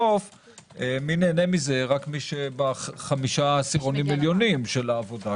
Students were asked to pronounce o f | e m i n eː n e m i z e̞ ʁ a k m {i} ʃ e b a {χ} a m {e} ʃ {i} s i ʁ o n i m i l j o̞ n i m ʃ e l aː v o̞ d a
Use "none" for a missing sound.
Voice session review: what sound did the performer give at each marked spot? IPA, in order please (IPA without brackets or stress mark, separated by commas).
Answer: i, χ, i, a